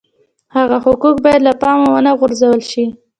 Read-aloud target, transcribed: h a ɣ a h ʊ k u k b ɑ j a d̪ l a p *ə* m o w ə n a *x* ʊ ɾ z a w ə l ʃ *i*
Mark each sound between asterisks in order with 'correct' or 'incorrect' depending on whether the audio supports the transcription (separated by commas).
incorrect, incorrect, correct